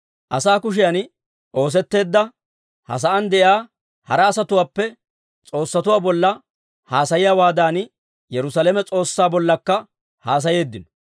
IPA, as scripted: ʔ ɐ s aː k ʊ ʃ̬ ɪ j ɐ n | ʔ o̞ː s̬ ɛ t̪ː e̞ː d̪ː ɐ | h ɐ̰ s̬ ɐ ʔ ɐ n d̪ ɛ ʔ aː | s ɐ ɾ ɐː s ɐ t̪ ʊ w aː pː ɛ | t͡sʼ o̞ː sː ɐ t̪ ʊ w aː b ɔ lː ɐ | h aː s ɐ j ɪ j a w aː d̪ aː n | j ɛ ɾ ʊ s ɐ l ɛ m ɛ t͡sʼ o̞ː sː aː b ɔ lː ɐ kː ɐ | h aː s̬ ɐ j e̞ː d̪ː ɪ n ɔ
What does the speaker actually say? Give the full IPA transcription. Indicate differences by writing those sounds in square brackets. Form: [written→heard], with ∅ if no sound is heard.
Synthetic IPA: ʔ ɐ s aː k ʊ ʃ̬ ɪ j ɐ n | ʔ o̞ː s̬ ɛ t̪ː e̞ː d̪ː ɐ | h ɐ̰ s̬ ɐ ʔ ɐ n d̪ ɛ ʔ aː | [s→h] ɐ ɾ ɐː s ɐ t̪ ʊ w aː pː ɛ | t͡sʼ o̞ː sː ɐ t̪ ʊ w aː b ɔ lː ɐ | h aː s ɐ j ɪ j a w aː d̪ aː n | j ɛ ɾ ʊ s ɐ l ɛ m ɛ t͡sʼ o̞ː sː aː b ɔ lː ɐ kː ɐ | h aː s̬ ɐ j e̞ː d̪ː ɪ n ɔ